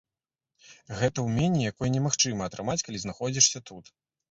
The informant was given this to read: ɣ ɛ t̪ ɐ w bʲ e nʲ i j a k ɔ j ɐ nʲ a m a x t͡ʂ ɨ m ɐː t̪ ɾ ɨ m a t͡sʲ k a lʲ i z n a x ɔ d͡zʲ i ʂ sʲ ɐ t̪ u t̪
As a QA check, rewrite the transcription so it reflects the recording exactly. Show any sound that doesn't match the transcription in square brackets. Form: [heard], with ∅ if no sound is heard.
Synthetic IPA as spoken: ɣ ɛ t̪ ɐ w [mʲ] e nʲ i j a k ɔ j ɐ nʲ [ɛ] m a x t͡ʂ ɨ m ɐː t̪ ɾ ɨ m a t͡sʲ k a lʲ i z n a x ɔ d͡zʲ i ʂ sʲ ɐ t̪ u t̪

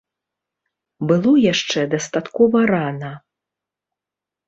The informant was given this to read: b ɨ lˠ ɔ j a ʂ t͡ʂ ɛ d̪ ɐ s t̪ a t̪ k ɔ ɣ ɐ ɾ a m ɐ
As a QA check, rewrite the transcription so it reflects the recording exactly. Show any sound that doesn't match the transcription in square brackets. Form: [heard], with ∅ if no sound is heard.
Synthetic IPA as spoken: b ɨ lˠ ɔ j a ʂ t͡ʂ ɛ d̪ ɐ s t̪ a t̪ k ɔ [v] ɐ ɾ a [n] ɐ

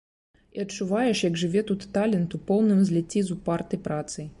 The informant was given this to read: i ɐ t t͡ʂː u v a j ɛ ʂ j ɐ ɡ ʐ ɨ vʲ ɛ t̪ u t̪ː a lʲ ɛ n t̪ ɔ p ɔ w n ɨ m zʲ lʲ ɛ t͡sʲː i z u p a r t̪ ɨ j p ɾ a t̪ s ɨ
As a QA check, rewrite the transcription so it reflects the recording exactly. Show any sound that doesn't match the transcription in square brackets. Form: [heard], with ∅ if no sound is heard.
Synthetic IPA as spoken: i ɐ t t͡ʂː u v a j ɛ ʂ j ɐ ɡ ʐ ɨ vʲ ɛ t̪ u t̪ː a lʲ ɛ n t̪ [u] p ɔ w n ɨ m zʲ lʲ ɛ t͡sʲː i z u p a r t̪ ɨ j p ɾ a t̪ s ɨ

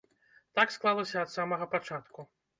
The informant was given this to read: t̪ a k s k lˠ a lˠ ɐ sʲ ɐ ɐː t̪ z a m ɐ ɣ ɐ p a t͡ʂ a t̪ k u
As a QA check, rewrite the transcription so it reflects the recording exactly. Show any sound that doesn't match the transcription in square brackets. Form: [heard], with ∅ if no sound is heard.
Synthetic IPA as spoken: t̪ a k s k lˠ a lˠ ɐ sʲ ɐ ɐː t̪ [s] a m ɐ ɣ ɐ p a t͡ʂ a t̪ k u

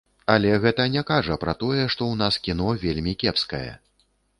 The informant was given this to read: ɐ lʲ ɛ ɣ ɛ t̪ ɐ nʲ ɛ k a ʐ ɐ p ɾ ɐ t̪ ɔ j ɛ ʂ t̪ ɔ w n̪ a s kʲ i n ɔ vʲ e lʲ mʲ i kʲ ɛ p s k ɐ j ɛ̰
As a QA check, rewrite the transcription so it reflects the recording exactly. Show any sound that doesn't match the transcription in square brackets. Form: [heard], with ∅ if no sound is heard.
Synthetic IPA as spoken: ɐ lʲ ɛ ɣ ɛ t̪ ɐ nʲ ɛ k a ʐ ɐ p ɾ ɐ t̪ ɔ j ɛ ʂ t̪ ɔ w n̪ a s kʲ i n ɔ vʲ e lʲ mʲ i kʲ ɛ p s k ɐ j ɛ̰

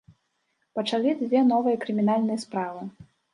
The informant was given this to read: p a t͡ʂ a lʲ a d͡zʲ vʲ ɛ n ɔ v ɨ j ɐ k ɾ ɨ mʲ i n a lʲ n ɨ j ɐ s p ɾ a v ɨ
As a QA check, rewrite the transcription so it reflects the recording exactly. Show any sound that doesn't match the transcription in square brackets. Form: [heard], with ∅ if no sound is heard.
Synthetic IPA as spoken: p [ɐ] t͡ʂ a lʲ [i] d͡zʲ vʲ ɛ n ɔ v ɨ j ɐ k ɾ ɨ mʲ i n a lʲ n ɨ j ɐ s p ɾ a v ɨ

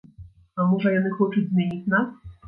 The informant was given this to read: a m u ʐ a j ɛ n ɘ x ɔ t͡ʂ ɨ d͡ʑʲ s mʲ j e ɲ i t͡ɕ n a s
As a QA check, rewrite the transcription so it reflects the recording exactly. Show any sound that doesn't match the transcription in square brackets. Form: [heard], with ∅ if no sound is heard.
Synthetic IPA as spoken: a m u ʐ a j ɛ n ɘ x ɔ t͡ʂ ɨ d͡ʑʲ [z] mʲ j e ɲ i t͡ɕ n a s

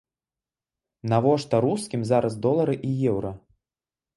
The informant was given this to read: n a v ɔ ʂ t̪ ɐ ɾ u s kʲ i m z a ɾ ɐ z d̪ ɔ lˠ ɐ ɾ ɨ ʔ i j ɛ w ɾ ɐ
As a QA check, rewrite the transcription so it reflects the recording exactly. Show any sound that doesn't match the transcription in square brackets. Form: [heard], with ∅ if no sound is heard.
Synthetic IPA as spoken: n a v ɔ ʂ t̪ ɐ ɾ u s kʲ i m z a ɾ ɐ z d̪ ɔ lˠ ɐ ɾ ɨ ʔ i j ɛ w ɾ ɐ

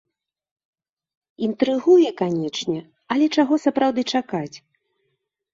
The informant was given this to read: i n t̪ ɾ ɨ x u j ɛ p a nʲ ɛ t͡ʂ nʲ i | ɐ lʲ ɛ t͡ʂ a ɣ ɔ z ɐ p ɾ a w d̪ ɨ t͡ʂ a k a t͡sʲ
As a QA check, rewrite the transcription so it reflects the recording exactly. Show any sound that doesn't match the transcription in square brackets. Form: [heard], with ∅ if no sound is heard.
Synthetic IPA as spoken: i n t̪ ɾ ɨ [ɣ] u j ɛ [k] a nʲ ɛ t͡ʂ nʲ [ɛ] | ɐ lʲ ɛ t͡ʂ a ɣ ɔ [s] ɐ p ɾ a w d̪ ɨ t͡ʂ a k a t͡sʲ

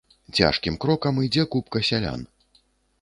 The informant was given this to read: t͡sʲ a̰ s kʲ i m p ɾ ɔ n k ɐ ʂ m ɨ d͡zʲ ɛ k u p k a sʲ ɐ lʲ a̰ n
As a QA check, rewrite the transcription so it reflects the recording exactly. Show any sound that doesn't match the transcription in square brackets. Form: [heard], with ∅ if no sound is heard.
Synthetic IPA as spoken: t͡sʲ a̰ [ʂ] kʲ i m [k] ɾ ɔ [∅] k ɐ [∅] m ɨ d͡zʲ ɛ k u p k [ɐ] sʲ [a] lʲ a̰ n

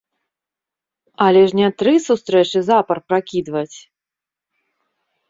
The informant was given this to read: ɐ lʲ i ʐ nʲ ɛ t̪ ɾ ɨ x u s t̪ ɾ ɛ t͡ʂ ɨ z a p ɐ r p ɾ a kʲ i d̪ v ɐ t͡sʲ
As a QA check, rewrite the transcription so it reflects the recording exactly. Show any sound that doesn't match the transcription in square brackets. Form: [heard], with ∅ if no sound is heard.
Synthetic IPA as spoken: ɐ lʲ [ɛ] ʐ nʲ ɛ t̪ ɾ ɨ [s] u s t̪ ɾ ɛ t͡ʂ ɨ z a p ɐ r p ɾ a kʲ i d̪ v ɐ t͡sʲ

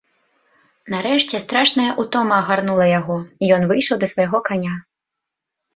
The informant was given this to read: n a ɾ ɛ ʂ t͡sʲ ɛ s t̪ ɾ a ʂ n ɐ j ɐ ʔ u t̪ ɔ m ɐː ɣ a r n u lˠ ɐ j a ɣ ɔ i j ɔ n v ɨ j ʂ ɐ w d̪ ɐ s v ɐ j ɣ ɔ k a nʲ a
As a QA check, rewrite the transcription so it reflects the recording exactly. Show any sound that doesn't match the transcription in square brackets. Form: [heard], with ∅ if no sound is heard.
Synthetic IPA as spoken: n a ɾ ɛ ʂ t͡sʲ ɛ s t̪ ɾ a ʂ n ɐ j ɐ ʔ u t̪ ɔ m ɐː ɣ a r n u lˠ ɐ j a ɣ ɔ i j ɔ n v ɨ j ʂ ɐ w d̪ ɐ s v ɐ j ɣ ɔ k a nʲ a

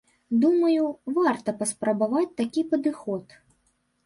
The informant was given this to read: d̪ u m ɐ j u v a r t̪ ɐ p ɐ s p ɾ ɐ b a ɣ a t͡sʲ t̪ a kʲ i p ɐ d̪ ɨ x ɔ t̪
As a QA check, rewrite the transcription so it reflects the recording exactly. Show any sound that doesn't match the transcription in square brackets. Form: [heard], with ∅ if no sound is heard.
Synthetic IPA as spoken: d̪ u m ɐ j u v a r t̪ ɐ p ɐ s p ɾ ɐ b a [v] a t͡sʲ t̪ a kʲ i p ɐ d̪ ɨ x ɔ t̪

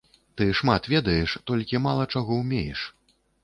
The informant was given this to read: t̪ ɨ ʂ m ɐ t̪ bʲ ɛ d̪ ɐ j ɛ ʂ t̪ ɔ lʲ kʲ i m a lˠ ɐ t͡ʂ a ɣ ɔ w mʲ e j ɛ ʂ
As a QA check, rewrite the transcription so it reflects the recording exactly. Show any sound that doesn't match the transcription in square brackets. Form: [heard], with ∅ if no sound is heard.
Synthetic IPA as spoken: t̪ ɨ ʂ m [a] t̪ [vʲ] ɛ d̪ ɐ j ɛ ʂ t̪ ɔ lʲ kʲ i m a lˠ ɐ t͡ʂ a ɣ ɔ w mʲ e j ɛ ʂ

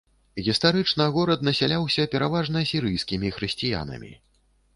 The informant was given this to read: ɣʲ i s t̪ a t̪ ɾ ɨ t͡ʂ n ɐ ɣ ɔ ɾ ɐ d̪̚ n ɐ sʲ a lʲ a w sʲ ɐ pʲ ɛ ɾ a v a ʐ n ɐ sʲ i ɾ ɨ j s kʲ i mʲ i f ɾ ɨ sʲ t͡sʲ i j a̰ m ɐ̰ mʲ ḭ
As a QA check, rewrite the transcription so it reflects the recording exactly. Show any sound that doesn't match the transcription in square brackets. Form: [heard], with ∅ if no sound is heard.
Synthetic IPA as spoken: ɣʲ i s t̪ a [∅] ɾ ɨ t͡ʂ n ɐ ɣ ɔ ɾ ɐ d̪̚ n ɐ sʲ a lʲ a w sʲ ɐ pʲ ɛ ɾ a v a ʐ n ɐ sʲ i ɾ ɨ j s kʲ i mʲ i [x] ɾ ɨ sʲ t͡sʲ i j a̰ [n] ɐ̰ mʲ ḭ

